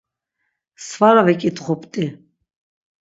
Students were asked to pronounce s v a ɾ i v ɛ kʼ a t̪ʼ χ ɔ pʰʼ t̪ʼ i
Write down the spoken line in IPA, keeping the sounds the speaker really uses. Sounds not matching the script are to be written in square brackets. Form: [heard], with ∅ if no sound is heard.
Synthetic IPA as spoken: s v a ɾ [a] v ɛ kʼ [i] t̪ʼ χ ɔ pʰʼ t̪ʼ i